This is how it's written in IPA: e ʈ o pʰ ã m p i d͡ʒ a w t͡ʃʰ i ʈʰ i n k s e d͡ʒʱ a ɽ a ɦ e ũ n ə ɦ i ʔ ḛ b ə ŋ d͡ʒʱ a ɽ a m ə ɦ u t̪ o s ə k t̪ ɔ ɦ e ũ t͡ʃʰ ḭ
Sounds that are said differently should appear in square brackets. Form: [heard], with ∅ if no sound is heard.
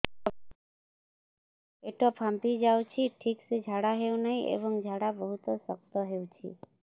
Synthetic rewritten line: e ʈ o pʰ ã m p i d͡ʒ a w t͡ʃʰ i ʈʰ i [∅] k s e d͡ʒʱ a ɽ a ɦ e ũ n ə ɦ i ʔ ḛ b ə ŋ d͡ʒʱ a ɽ a [b] ə ɦ u t̪ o s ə k t̪ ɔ ɦ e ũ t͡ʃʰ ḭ

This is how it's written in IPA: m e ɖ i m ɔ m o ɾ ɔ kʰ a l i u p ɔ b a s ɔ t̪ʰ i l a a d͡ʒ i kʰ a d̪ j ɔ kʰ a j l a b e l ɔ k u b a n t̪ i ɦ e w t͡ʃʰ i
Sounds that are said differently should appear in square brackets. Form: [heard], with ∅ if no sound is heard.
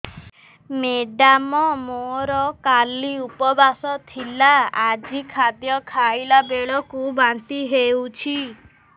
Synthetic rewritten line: m e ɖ [a] m ɔ m o ɾ ɔ [k] a l i u p ɔ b a s ɔ t̪ʰ i l a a d͡ʒ i kʰ a d̪ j ɔ kʰ a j l a b e [ɭ] ɔ k u b a n t̪ i ɦ e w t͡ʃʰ i

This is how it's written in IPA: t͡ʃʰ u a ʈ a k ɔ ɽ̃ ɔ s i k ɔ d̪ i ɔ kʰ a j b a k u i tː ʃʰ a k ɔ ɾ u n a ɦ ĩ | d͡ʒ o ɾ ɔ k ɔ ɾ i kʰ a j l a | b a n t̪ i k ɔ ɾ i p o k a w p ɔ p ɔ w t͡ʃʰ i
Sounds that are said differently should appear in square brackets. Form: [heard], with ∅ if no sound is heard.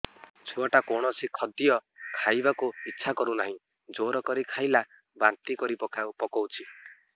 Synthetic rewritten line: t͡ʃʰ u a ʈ a k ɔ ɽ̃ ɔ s i [kʰ] ɔ d̪ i ɔ kʰ a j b a k u i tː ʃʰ a k ɔ ɾ u n a ɦ ĩ | d͡ʒ o ɾ ɔ k ɔ ɾ i kʰ a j l a | b a n t̪ i k ɔ ɾ i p [ɔ] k a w p ɔ [k] ɔ w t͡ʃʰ i

